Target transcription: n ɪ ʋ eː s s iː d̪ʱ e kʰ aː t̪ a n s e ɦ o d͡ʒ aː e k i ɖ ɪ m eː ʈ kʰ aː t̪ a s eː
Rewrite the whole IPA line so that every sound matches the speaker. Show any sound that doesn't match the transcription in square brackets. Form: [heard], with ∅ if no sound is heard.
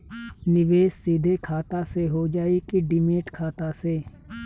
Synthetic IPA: n ɪ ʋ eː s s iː d̪ʱ e kʰ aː t̪ a [∅] s e ɦ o d͡ʒ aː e k i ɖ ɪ m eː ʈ kʰ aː t̪ a s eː